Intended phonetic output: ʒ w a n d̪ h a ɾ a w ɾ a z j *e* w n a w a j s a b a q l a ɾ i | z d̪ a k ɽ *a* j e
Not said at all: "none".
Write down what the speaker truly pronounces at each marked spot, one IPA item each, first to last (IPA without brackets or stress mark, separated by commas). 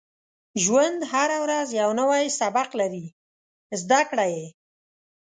a, a